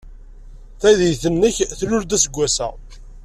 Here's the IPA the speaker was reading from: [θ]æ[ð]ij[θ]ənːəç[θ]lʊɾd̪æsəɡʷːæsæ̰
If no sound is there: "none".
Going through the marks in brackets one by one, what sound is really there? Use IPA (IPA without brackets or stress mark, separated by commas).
θ, ð, θ, θ